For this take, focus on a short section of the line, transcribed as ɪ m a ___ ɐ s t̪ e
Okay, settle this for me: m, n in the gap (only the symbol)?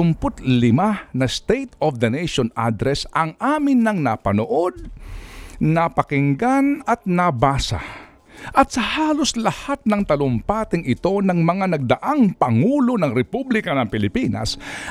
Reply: n